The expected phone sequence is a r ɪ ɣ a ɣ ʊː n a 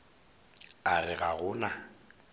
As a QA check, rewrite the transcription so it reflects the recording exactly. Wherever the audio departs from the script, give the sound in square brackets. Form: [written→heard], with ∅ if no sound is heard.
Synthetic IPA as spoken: a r ɪ ɣ a ɣ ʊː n a